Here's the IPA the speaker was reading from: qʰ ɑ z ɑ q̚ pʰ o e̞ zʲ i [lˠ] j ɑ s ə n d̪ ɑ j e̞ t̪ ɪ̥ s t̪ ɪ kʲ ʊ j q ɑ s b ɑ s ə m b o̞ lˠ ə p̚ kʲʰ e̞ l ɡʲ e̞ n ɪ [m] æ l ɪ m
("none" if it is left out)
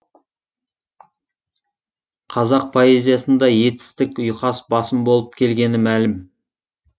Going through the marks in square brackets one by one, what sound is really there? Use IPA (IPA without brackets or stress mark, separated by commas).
none, m